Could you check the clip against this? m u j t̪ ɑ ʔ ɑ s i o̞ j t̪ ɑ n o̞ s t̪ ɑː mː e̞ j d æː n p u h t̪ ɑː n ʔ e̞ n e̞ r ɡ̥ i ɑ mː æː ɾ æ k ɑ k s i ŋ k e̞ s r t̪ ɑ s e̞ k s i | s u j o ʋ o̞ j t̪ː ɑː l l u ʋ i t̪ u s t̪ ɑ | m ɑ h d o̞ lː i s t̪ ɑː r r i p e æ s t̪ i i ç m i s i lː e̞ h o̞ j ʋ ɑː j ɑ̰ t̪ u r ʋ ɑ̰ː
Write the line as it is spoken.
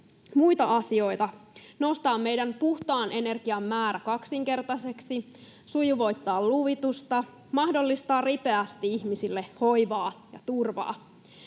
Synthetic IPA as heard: m u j t̪ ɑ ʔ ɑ s i o̞ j t̪ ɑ n o̞ s t̪ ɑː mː e̞ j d æ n p u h t̪ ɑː n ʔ e̞ n e̞ r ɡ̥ i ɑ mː æː ɾ æ k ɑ k s i ŋ k e̞ r t̪ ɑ s e̞ k s i | s u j u ʋ o̞ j t̪ː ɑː l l u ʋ i t̪ u s t̪ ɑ | m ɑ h d o̞ lː i s t̪ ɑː r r i p e æ s t̪ i i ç m i s i lː e̞ h o̞ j ʋ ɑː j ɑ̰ t̪ u r ʋ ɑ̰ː